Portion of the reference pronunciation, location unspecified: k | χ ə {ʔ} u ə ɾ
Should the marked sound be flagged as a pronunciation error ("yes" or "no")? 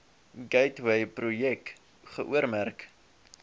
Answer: no